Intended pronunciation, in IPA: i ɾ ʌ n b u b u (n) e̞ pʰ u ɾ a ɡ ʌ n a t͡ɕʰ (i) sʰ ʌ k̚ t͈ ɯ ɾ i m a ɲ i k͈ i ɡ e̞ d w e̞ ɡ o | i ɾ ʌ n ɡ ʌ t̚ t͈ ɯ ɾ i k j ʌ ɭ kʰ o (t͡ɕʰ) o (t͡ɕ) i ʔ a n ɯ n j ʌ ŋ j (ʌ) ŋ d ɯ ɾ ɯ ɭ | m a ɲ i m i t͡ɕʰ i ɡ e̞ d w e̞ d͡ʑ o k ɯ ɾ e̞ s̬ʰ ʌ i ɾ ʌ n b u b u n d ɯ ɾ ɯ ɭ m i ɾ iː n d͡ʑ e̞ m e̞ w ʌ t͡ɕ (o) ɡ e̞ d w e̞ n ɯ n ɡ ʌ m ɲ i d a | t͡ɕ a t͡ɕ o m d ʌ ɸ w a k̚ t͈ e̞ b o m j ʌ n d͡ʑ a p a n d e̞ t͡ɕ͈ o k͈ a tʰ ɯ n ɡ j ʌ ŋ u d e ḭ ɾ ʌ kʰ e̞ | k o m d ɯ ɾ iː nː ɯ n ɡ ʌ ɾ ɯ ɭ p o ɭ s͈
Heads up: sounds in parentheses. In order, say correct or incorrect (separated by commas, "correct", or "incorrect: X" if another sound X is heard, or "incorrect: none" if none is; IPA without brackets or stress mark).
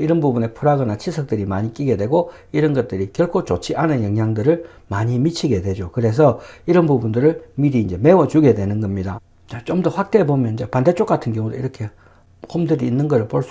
correct, correct, incorrect: t͡ɕ, incorrect: t͡ɕʰ, incorrect: a, incorrect: u